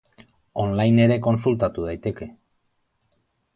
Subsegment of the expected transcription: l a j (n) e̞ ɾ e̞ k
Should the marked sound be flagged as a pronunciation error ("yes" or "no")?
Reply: no